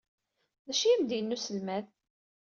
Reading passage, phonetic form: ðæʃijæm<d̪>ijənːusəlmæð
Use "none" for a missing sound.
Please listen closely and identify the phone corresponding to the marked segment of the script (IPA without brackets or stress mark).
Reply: d̪